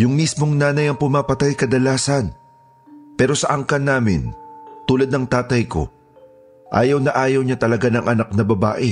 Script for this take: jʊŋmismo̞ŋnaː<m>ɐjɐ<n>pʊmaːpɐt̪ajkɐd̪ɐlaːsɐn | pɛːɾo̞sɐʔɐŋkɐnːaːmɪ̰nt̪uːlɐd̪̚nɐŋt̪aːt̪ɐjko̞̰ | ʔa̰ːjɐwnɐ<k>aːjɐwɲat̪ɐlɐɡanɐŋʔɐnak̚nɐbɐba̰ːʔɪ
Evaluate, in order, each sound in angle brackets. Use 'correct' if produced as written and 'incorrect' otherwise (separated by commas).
incorrect, incorrect, incorrect